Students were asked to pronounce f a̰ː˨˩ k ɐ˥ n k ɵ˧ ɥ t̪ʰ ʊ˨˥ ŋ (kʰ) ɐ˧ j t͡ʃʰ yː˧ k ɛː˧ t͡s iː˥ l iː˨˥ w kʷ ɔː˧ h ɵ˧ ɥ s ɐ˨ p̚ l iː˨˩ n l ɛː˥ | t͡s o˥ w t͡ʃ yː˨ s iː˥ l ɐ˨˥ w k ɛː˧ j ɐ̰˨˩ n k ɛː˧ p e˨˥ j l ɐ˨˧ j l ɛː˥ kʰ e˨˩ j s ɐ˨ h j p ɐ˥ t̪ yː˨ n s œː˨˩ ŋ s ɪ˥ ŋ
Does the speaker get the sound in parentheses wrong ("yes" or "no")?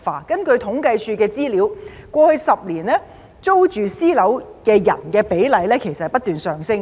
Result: yes